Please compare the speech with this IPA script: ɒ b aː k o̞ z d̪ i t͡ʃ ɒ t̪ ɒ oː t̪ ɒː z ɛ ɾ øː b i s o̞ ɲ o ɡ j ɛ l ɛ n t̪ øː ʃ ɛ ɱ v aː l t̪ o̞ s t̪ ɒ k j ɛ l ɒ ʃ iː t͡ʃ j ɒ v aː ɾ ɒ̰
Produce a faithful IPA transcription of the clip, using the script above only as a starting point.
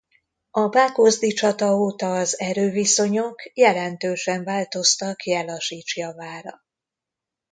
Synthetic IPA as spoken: ɒ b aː k o̞ z d̪ i t͡ʃ ɒ t̪ ɒ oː t̪ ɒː z ɛ ɾ øː v i s o̞ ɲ o k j ɛ l ɛ n t̪ øː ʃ ɛ ɱ v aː l t̪ o̞ s t̪ ɒ k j ɛ l ɒ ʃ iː t͡ʃ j ɒ v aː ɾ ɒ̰